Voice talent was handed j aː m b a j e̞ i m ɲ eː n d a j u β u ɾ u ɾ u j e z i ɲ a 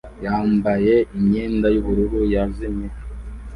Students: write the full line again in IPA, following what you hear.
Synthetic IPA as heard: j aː m b a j e̞ i m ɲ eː n d a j u β u ɾ u ɾ u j a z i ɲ e